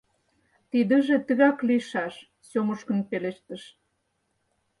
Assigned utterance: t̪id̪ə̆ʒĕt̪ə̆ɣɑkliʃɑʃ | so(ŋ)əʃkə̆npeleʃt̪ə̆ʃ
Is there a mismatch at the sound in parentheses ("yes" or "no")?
yes